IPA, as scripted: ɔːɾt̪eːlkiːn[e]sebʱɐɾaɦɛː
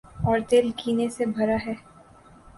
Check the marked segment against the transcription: correct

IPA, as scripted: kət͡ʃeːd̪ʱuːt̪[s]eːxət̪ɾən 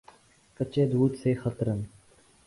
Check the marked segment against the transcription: correct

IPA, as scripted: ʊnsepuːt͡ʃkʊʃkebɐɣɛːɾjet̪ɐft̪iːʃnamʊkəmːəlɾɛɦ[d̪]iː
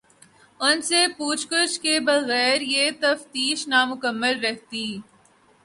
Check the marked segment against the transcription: incorrect: t̪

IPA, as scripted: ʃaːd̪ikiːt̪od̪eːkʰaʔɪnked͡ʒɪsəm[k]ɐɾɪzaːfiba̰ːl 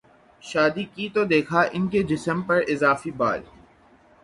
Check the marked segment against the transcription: incorrect: p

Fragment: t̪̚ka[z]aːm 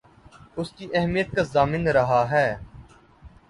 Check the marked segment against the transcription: correct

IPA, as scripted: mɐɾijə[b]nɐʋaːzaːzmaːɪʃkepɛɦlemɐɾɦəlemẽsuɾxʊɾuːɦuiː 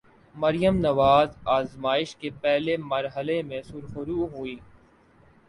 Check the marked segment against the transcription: incorrect: m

